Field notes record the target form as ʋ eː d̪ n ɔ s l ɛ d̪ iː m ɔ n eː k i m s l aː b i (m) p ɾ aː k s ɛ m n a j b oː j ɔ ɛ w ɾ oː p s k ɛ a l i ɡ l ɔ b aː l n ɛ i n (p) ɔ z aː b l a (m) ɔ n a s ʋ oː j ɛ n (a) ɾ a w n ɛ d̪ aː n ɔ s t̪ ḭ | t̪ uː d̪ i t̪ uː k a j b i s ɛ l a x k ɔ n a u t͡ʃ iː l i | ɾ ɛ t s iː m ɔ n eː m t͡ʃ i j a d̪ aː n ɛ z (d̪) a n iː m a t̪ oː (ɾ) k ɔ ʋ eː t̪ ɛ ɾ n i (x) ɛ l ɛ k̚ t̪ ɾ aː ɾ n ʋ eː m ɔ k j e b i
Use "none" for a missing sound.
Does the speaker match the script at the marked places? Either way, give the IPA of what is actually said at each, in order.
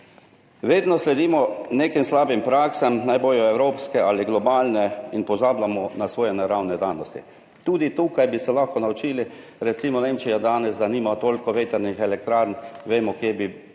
m, p, m, ɛ, d̪, l, x

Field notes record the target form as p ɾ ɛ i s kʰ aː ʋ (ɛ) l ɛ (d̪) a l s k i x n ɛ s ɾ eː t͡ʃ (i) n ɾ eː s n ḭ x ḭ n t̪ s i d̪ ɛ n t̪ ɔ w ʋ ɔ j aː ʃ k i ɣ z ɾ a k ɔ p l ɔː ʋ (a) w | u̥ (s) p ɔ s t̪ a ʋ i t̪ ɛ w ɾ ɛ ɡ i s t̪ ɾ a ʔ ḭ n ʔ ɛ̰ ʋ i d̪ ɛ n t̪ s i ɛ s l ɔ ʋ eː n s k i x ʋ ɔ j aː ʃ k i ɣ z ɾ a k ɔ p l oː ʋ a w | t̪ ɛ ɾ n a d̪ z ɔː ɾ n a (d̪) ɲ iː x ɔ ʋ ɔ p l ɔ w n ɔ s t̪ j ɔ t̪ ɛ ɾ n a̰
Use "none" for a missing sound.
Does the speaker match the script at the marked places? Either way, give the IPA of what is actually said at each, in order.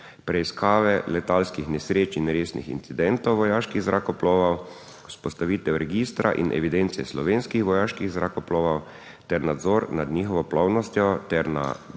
ɛ, t̪, i, a, s, d̪

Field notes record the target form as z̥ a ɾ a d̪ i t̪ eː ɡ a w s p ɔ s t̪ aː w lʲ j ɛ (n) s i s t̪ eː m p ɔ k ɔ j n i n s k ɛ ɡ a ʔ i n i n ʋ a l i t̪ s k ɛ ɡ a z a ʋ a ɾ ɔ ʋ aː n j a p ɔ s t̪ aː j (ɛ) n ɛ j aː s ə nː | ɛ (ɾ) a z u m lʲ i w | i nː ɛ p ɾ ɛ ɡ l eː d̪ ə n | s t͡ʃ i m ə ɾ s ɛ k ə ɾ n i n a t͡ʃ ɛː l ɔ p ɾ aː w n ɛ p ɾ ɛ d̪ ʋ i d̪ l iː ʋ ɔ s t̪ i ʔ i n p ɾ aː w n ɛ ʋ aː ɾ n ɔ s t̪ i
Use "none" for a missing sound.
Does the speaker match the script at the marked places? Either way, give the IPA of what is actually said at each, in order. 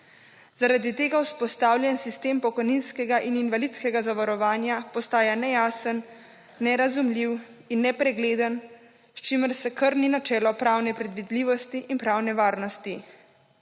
n, a, ɾ

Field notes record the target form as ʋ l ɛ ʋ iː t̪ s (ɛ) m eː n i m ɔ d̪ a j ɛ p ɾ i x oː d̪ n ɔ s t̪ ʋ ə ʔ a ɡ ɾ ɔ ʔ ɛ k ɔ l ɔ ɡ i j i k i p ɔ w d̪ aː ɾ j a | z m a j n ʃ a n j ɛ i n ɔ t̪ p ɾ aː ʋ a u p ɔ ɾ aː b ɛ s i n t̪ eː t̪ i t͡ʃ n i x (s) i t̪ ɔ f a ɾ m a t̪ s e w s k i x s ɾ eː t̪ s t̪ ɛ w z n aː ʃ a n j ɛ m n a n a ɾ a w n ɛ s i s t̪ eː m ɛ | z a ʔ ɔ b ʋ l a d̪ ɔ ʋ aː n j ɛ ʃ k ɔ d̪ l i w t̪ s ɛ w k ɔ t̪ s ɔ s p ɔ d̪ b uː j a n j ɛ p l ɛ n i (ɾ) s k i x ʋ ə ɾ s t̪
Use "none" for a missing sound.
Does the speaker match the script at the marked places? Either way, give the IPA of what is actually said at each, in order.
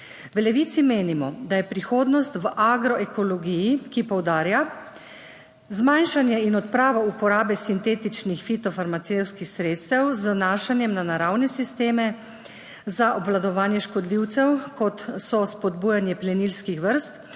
i, f, l

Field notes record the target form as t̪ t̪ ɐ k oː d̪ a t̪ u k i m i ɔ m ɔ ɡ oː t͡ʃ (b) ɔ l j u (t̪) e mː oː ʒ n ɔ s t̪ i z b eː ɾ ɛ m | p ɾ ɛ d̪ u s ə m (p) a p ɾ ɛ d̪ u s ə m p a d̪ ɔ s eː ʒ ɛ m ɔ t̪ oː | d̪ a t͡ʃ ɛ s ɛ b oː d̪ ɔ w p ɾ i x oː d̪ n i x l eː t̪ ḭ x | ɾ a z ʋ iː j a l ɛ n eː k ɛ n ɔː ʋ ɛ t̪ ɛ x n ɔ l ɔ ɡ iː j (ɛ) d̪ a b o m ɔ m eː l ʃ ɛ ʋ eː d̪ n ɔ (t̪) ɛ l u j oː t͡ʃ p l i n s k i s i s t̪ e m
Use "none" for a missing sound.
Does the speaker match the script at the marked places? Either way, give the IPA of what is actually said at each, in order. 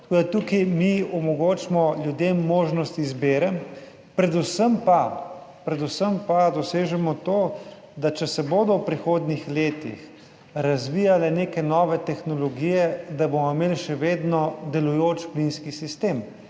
m, d̪, p, ɛ, d̪

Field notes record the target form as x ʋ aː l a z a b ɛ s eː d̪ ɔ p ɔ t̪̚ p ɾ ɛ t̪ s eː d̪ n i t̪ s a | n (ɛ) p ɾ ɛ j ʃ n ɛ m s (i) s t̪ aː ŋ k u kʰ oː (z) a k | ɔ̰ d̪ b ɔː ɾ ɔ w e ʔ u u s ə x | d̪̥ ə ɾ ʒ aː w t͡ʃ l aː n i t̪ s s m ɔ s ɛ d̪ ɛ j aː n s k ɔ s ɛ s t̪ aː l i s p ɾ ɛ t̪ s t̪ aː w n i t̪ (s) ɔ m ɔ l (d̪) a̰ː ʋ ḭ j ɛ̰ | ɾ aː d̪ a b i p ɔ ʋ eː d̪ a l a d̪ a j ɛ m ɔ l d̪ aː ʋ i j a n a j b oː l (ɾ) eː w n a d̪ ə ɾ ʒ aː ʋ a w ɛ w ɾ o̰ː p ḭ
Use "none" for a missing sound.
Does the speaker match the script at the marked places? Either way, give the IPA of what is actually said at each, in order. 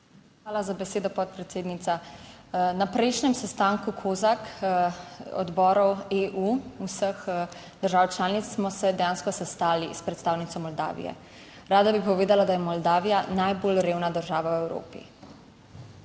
a, ɛ, z, s, d̪, ɾ

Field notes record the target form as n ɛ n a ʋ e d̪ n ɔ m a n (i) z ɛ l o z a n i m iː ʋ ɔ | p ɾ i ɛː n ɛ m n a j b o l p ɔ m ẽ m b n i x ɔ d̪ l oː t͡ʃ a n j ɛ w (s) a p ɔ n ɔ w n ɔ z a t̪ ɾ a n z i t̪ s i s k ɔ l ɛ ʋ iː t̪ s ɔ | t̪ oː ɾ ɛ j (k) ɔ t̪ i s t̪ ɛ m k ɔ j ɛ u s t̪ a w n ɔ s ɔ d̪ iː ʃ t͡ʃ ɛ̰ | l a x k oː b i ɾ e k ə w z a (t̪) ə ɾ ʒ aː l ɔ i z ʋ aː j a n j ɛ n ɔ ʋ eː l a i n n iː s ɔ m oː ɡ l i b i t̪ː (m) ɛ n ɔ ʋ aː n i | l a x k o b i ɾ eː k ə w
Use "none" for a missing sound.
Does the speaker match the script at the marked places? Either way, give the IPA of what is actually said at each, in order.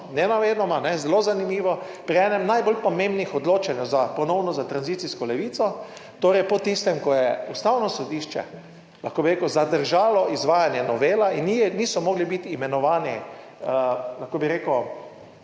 ɛ, z, p, d̪, m

